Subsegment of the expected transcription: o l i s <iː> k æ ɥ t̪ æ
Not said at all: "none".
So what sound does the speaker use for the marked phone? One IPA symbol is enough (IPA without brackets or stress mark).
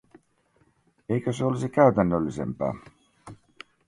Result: i